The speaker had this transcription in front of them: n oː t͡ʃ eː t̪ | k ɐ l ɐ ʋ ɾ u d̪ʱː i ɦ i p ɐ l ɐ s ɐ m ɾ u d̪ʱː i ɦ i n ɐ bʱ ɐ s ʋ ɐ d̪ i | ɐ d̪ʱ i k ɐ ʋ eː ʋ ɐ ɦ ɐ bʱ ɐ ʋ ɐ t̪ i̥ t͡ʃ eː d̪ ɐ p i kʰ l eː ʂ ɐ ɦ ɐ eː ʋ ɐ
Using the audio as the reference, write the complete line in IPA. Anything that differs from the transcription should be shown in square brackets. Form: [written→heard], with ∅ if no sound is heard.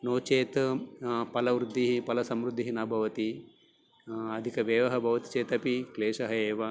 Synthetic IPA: n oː t͡ʃ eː t̪ | [k→p] ɐ l ɐ ʋ ɾ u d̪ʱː i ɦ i p ɐ l ɐ s ɐ m ɾ u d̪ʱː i ɦ i n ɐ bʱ ɐ [s→∅] ʋ ɐ [d̪→t̪] i | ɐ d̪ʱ i k ɐ ʋ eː ʋ ɐ ɦ ɐ bʱ ɐ ʋ ɐ t̪ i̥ t͡ʃ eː [d̪→t̪] ɐ p i [kʰ→k] l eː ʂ ɐ ɦ ɐ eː ʋ ɐ